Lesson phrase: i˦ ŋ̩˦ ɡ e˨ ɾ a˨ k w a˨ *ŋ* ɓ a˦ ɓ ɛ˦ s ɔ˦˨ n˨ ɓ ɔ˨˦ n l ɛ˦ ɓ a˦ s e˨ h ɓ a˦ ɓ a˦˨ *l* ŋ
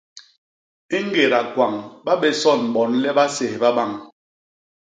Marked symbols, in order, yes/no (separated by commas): yes, no